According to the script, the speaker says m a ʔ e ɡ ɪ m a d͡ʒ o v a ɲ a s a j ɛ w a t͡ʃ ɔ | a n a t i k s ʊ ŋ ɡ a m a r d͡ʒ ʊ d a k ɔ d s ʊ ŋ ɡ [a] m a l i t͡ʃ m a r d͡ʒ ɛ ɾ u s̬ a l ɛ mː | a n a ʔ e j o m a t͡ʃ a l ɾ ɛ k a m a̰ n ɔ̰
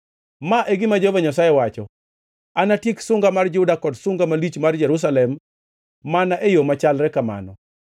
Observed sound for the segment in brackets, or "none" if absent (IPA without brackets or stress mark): a